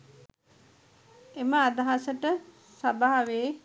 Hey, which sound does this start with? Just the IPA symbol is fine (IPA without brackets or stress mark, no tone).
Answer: e